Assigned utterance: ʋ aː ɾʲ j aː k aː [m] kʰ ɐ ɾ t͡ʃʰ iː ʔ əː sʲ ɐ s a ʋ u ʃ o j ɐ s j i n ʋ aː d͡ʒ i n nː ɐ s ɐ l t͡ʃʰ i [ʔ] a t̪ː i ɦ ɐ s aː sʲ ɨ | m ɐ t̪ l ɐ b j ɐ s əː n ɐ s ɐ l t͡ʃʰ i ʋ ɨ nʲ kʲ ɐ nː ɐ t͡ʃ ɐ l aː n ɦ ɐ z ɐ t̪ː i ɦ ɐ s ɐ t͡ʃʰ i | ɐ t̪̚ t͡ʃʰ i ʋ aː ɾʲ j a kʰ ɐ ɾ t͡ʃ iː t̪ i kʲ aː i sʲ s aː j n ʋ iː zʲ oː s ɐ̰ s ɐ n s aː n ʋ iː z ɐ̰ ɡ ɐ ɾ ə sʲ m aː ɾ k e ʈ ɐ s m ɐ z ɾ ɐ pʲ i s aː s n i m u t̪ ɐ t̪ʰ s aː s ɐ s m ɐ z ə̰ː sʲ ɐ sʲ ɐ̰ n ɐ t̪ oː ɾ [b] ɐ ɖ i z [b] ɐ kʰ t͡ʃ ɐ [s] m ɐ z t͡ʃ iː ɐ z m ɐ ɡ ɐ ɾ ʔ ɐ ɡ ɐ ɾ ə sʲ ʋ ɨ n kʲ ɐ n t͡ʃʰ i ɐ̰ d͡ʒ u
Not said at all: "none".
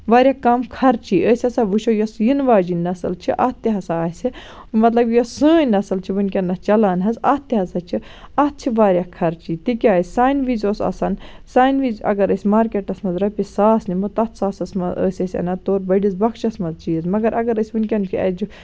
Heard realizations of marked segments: m, ʔ, b, b, s

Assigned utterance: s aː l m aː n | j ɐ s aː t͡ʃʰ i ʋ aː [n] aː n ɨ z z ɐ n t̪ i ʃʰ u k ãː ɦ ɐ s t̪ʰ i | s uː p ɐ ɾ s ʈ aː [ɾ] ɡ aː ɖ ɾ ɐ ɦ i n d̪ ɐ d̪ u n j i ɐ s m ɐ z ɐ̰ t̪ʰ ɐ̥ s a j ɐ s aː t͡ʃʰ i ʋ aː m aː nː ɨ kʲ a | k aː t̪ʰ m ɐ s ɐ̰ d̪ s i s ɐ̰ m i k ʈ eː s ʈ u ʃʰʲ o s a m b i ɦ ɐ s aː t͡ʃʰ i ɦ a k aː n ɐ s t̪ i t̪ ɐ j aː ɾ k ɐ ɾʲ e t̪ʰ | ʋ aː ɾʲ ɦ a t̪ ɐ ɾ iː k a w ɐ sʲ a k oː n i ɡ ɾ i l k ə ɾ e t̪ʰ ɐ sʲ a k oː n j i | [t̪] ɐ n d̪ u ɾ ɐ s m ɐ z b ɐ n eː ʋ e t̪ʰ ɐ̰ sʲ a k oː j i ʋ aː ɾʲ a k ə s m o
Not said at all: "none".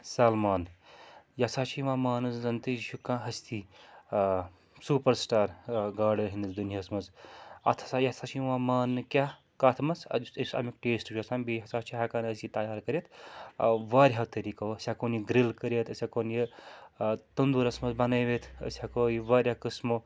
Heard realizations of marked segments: m, ɾ, t̪

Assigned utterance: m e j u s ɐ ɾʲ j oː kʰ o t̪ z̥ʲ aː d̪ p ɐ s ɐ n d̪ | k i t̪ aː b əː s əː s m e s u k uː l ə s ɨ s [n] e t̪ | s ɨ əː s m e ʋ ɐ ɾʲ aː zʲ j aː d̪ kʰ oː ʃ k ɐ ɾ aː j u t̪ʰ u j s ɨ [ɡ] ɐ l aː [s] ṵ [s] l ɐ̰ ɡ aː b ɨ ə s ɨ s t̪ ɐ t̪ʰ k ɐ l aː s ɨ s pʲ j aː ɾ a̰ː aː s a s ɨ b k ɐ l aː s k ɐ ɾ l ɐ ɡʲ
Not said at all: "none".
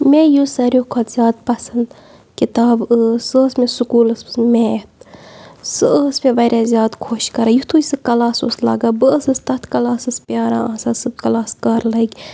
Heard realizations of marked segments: m, k, s, s

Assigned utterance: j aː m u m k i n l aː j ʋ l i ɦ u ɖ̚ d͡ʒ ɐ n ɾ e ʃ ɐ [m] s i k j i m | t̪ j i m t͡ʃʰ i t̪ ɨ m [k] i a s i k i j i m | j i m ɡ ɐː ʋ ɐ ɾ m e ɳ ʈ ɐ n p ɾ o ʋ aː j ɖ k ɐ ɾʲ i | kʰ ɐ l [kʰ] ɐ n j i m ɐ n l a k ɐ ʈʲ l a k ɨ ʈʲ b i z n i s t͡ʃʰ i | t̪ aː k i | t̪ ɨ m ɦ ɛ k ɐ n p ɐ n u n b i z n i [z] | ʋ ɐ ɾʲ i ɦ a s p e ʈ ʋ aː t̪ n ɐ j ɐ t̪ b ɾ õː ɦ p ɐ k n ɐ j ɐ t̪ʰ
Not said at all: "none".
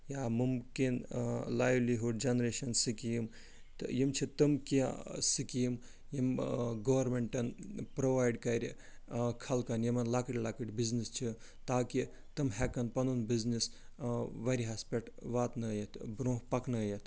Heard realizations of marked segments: n, k, k, s

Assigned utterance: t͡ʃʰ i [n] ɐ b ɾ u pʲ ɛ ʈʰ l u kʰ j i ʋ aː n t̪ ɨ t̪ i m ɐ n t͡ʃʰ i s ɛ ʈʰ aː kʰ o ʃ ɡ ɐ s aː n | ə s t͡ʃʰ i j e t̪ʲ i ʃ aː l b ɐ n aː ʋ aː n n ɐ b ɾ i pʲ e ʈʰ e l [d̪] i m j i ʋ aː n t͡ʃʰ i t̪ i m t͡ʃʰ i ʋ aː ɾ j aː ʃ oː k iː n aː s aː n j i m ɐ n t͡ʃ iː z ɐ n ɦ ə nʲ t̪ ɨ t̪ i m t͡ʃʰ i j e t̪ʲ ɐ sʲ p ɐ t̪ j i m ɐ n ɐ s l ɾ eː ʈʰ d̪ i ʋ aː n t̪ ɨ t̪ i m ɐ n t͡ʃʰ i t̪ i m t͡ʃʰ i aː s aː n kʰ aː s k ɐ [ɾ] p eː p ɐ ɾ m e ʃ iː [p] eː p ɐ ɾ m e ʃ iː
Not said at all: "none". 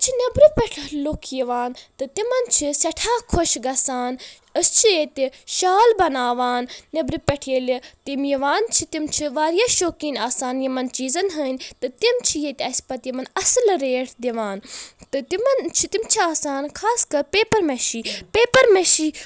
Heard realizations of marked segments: n, t̪, ɾ, p

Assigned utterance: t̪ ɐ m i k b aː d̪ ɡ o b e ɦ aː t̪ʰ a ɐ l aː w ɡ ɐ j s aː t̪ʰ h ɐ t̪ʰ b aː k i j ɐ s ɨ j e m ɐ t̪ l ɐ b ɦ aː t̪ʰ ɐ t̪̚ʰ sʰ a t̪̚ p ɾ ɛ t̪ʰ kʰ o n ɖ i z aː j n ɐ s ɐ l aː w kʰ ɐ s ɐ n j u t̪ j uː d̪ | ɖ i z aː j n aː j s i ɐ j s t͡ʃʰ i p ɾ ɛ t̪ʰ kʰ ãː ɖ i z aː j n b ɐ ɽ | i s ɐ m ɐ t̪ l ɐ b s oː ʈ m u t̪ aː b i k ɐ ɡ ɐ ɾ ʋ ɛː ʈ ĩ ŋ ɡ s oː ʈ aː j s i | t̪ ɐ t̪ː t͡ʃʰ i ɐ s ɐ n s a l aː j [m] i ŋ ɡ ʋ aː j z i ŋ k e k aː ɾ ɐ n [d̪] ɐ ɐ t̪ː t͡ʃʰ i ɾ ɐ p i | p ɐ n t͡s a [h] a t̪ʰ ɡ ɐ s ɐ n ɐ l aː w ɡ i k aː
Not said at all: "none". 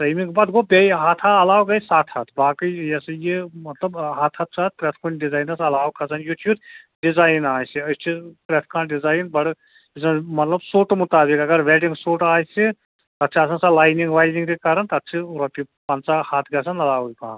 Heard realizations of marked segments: n, t̪, h

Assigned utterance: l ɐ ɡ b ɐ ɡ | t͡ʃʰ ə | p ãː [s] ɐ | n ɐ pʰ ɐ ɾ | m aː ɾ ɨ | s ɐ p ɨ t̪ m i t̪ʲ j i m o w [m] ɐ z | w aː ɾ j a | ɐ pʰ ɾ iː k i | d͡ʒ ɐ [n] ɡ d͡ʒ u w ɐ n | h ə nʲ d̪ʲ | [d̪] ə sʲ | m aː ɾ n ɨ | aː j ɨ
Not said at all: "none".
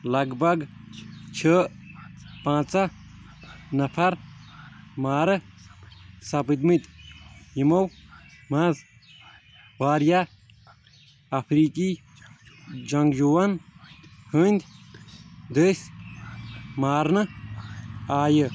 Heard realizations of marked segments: t͡s, m, ŋ, d̪

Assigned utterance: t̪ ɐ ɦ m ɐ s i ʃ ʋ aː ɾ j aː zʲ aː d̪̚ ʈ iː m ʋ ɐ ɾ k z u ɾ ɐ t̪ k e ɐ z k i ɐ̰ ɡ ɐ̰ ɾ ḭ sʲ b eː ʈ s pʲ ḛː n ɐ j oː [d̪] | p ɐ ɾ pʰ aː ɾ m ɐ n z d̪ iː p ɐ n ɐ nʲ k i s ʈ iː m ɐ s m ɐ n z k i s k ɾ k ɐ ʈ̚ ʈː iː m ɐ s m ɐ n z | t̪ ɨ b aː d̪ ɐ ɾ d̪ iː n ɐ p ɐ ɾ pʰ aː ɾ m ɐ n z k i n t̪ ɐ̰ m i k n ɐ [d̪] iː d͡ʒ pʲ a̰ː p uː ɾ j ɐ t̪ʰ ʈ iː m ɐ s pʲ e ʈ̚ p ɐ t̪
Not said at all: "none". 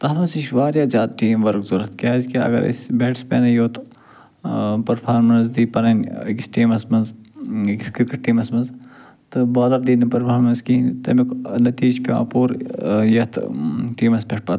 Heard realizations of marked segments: t̪, t̪

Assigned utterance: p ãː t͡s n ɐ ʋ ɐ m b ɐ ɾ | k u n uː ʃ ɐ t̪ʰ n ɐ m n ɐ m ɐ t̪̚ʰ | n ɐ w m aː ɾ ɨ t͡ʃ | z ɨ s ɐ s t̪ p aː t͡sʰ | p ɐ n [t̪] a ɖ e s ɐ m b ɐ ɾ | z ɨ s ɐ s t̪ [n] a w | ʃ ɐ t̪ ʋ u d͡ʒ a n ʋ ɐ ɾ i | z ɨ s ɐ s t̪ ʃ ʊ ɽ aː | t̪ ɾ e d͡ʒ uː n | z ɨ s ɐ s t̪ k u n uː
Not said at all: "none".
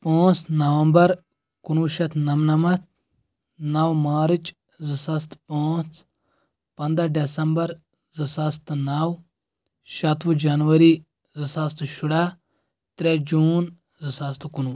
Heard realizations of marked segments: d̪, n

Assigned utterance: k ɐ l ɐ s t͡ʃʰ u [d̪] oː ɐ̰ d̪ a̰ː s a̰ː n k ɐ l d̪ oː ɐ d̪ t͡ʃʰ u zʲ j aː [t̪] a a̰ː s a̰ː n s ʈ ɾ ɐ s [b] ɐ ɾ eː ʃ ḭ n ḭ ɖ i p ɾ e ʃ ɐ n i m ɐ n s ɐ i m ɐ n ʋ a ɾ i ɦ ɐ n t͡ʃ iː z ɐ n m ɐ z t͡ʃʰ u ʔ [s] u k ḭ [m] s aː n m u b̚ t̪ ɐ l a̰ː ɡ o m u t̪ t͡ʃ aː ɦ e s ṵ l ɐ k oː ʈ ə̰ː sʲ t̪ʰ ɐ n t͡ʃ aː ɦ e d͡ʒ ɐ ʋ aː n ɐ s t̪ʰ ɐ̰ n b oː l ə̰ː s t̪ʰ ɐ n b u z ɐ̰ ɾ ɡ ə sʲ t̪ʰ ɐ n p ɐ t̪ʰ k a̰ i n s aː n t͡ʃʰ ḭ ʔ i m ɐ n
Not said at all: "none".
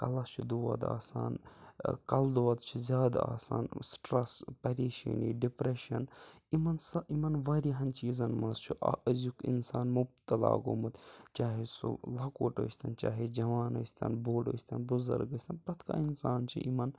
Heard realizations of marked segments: d̪, d̪, p, z, n

